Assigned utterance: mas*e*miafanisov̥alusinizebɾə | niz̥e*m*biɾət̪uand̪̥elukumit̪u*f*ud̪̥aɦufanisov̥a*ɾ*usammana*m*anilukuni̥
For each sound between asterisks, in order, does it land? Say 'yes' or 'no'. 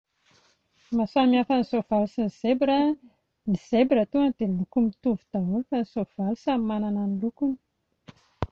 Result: no, no, no, no, no

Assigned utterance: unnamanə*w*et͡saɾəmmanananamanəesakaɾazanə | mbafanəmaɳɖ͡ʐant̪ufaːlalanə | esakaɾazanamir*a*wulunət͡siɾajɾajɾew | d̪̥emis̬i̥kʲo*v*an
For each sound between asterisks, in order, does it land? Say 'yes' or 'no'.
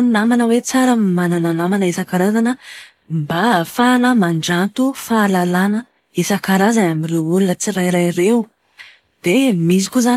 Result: yes, no, no

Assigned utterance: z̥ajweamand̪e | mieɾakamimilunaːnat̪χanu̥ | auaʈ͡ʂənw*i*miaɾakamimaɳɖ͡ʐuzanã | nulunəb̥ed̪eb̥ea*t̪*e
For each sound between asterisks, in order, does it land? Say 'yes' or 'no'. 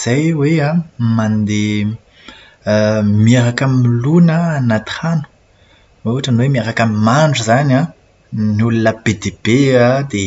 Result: no, no

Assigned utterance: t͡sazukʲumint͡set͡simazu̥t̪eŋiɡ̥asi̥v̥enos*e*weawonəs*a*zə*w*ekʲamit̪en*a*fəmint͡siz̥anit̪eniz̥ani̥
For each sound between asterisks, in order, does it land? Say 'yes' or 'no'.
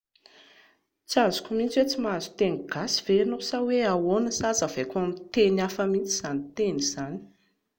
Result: no, yes, no, yes

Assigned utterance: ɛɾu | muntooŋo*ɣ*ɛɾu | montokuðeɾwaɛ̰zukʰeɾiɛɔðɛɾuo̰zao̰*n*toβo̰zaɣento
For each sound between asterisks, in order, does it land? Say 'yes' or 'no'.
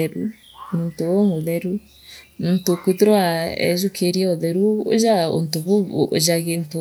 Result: no, yes

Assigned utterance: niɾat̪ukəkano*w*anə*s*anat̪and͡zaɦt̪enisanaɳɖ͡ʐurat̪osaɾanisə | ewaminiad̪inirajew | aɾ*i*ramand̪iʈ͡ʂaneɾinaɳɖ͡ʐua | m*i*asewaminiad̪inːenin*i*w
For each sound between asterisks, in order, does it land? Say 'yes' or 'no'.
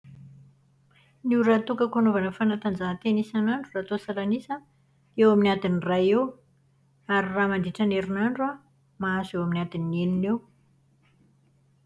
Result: no, no, yes, no, no

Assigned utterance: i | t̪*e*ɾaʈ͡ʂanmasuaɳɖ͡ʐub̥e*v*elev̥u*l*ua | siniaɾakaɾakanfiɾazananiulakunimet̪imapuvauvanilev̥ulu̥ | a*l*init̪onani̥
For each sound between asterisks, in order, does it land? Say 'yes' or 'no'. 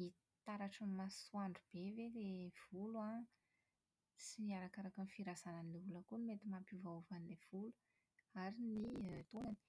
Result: no, yes, yes, no

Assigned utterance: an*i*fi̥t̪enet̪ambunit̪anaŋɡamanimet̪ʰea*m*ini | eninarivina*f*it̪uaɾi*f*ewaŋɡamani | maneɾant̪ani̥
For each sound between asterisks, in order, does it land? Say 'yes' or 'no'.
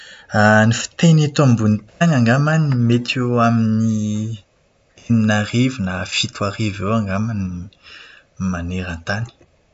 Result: yes, yes, yes, no

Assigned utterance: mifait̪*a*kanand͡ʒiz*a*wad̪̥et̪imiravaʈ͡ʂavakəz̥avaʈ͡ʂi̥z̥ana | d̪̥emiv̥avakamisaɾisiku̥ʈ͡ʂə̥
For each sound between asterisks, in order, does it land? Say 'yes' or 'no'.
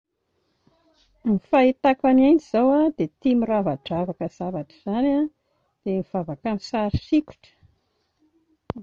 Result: yes, yes

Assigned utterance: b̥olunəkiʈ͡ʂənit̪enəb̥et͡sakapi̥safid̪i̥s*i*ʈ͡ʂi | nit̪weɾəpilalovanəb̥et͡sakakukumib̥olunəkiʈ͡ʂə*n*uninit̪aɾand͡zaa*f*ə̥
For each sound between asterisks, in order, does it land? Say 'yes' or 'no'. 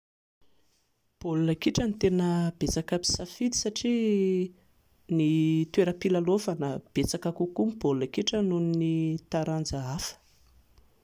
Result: no, yes, yes

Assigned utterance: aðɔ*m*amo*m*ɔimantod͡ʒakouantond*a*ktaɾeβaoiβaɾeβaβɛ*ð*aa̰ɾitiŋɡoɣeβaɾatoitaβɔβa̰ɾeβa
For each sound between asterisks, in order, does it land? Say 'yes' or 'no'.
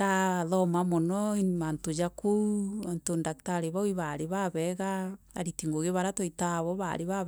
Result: yes, no, yes, no

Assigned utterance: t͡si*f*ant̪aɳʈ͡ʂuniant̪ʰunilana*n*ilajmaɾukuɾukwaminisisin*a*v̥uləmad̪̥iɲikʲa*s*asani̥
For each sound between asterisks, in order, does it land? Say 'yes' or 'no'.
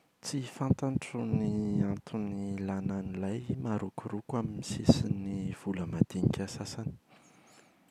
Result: yes, yes, no, yes

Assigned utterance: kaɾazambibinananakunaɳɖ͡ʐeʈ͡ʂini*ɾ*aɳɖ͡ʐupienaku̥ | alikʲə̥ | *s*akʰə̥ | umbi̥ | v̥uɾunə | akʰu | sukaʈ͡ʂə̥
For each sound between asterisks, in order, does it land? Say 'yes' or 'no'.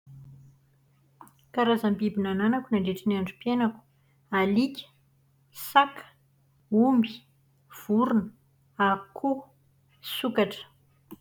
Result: no, yes

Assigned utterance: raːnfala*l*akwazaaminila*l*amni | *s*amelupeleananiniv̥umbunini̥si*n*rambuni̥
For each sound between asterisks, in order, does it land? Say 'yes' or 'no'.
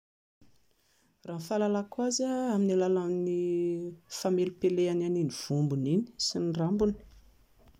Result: yes, yes, no, yes

